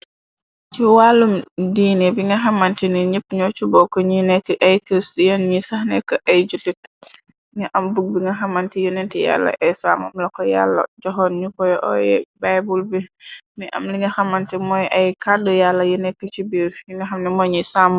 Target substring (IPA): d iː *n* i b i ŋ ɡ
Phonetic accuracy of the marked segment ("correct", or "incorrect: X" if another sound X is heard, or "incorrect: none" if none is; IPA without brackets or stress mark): correct